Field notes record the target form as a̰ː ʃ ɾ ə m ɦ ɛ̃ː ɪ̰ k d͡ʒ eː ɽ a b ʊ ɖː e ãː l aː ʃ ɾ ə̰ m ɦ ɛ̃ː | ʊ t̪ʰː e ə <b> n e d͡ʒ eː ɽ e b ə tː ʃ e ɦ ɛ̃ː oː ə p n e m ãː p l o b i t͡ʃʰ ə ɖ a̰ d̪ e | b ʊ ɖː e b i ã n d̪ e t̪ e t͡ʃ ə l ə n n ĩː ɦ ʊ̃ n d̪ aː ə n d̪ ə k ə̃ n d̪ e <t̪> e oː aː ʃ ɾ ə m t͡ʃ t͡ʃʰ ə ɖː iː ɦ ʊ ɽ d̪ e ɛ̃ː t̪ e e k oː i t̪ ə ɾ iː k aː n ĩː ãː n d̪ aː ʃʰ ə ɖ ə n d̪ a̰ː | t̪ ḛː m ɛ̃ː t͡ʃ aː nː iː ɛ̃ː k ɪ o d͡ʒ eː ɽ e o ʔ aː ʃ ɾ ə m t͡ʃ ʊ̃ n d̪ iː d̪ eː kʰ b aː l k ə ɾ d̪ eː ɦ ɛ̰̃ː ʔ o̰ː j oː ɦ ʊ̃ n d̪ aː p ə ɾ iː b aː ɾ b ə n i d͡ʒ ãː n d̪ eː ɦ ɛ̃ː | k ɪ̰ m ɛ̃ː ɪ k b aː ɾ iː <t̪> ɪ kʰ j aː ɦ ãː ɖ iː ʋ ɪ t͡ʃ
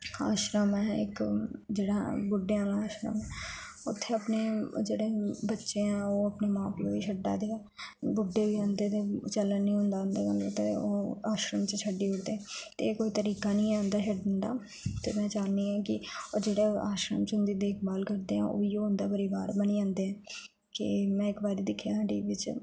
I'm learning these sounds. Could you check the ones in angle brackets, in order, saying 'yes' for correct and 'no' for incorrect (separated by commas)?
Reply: no, yes, no